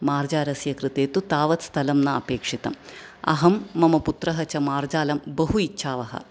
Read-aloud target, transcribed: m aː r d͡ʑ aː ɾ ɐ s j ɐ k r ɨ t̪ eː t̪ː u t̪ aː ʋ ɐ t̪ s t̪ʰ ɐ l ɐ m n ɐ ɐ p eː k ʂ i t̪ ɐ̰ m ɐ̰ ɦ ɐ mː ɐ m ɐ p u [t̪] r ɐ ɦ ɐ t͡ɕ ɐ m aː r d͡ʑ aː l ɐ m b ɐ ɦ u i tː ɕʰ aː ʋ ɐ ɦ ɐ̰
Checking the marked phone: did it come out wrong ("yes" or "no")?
no